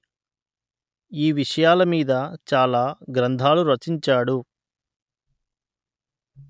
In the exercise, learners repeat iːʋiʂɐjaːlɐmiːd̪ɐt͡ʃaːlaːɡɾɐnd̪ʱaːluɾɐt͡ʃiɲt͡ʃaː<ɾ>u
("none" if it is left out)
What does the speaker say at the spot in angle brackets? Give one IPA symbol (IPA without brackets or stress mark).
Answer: ɽ